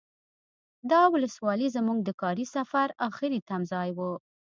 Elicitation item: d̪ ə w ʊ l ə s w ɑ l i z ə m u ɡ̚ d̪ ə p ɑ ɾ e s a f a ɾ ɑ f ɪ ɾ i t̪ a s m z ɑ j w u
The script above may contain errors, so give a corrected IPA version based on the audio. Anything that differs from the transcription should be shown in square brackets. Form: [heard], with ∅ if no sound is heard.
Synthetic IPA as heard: d̪ [ɑ] w ʊ l ə s w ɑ l i z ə m u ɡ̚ d̪ ə [k] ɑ ɾ [i] s a f a ɾ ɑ [x] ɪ ɾ i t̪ a [∅] m z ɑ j w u

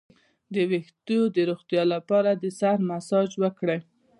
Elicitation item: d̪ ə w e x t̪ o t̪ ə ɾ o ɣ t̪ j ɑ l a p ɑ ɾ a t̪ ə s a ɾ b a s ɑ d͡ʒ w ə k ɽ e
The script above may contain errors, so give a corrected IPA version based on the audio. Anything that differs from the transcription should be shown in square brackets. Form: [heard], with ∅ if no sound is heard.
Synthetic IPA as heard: d̪ ə w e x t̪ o [d̪] ə ɾ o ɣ t̪ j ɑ l a p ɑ ɾ a [d̪] ə s a ɾ [m] a s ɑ d͡ʒ w ə k ɽ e

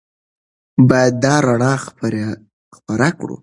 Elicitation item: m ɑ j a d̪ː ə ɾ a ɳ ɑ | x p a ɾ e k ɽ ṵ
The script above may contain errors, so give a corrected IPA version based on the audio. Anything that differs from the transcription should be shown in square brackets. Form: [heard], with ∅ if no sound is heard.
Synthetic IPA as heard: [b] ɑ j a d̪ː [ɑ] ɾ a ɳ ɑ | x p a ɾ [a] k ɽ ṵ

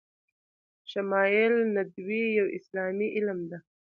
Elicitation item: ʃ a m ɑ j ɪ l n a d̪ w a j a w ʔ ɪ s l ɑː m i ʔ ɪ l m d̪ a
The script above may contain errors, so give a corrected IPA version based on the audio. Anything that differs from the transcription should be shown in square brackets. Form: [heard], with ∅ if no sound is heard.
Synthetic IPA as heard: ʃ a m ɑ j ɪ l n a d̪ w [i] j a w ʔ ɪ s l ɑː m i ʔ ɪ l m d̪ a

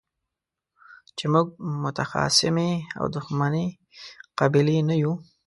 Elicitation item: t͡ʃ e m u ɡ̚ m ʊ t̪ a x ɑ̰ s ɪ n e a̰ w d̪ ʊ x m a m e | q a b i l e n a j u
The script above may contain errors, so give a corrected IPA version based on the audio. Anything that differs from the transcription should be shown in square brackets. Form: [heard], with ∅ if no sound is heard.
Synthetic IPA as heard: t͡ʃ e m u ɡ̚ m ʊ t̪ a x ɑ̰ s ɪ [m] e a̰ w d̪ ʊ x m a [n] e | q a b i l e n a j u

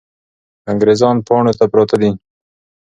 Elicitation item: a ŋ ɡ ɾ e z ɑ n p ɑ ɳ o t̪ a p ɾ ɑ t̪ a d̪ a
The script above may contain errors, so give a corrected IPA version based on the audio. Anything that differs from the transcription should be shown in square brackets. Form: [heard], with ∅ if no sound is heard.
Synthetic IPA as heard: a ŋ ɡ ɾ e z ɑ n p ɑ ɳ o t̪ a p ɾ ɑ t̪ a d̪ [i]

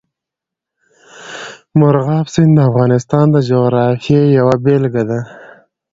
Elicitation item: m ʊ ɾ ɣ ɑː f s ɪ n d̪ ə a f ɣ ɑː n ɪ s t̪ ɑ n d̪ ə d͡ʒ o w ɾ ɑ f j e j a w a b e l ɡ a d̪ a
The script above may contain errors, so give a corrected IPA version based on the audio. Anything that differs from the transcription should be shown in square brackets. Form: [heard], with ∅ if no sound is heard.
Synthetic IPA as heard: m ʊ ɾ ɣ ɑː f s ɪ n d̪ ə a f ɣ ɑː n ɪ s t̪ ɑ n d̪ ə d͡ʒ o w ɾ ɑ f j e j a w a b e l ɡ a d̪ a

